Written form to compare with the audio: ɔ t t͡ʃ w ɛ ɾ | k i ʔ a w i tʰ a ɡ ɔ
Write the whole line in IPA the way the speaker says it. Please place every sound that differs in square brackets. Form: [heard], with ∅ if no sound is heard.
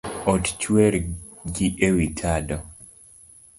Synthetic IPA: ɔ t t͡ʃ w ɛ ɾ | [ɡ] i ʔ [e] w i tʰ a [d] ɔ

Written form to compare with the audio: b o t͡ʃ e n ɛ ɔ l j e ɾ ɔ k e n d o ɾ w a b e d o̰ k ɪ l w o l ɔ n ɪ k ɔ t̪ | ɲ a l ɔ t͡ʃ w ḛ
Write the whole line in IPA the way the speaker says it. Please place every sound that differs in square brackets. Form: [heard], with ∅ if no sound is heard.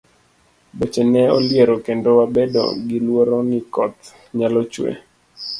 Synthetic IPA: b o t͡ʃ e n ɛ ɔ l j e ɾ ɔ k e n d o [∅] w a b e d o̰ [ɡ] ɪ l w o [ɾ] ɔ n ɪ k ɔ t̪ | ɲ a l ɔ t͡ʃ w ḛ

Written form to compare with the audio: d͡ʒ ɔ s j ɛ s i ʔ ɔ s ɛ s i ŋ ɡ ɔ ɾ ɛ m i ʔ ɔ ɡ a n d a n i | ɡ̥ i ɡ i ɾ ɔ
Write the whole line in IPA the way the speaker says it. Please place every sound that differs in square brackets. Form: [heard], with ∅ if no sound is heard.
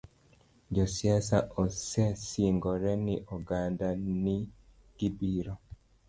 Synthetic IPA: d͡ʒ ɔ s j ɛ s [a] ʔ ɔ s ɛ s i ŋ ɡ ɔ ɾ ɛ [n] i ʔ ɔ ɡ a n d a n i | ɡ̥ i [b] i ɾ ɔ

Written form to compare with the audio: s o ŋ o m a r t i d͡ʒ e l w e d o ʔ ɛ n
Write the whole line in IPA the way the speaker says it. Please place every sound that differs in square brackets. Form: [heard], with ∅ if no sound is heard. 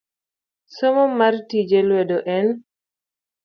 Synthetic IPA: s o [m] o m a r t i d͡ʒ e l w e d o ʔ ɛ n

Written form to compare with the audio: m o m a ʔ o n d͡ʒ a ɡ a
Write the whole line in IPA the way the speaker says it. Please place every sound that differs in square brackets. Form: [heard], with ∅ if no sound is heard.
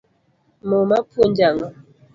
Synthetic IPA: m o m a [p] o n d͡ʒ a [ŋ] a

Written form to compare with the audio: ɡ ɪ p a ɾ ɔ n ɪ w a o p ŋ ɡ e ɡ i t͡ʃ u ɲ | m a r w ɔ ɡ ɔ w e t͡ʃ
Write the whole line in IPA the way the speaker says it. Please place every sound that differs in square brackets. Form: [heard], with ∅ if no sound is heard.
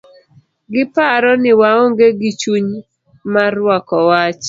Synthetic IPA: ɡ ɪ p a ɾ ɔ n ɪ w a o [∅] ŋ ɡ e ɡ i t͡ʃ u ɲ | m a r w ɔ [k] ɔ w [a] t͡ʃ

